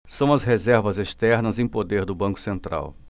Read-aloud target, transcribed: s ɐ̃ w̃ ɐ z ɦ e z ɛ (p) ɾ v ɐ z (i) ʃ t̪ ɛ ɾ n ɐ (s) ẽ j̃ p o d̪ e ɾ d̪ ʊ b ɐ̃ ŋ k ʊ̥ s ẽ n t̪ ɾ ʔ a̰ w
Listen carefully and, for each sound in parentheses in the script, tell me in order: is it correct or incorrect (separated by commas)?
incorrect, incorrect, incorrect